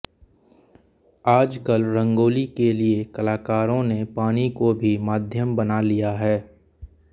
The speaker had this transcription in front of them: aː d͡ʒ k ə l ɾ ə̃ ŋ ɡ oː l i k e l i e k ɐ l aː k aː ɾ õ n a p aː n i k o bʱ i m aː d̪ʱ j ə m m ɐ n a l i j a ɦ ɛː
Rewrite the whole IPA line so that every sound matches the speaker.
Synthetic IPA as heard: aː d͡ʒ k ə l ɾ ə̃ ŋ ɡ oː l i k e l i e k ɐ l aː k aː ɾ õ n e p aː n i k o bʱ i m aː d̪ʱ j ə m b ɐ n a l i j a ɦ ɛː